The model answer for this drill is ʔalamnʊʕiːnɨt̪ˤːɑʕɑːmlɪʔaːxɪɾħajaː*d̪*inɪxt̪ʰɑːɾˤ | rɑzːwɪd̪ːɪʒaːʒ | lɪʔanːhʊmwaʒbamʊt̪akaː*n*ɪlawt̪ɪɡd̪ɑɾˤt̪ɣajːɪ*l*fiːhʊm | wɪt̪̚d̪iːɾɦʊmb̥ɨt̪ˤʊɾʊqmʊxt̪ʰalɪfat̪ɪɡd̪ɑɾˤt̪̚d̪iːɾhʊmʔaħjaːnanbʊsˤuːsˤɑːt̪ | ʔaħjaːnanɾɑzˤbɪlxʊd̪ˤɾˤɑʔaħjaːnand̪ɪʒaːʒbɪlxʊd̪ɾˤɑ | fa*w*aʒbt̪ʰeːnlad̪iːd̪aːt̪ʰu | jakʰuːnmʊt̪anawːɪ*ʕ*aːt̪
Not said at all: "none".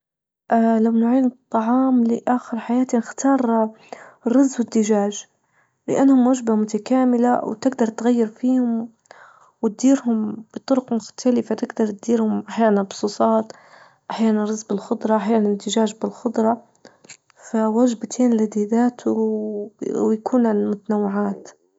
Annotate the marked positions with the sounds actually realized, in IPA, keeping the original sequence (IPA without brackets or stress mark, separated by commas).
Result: t̪, m, ɾ, w, ʕ